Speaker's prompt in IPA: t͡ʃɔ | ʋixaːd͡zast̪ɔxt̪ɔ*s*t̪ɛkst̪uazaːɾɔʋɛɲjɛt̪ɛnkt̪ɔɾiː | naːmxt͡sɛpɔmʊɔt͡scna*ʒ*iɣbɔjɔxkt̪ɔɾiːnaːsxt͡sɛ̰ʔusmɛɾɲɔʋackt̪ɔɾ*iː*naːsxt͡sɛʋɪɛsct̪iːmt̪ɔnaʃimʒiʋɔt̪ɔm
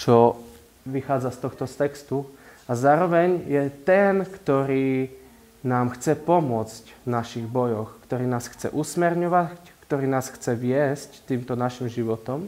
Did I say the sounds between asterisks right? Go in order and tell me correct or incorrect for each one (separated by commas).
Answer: correct, incorrect, correct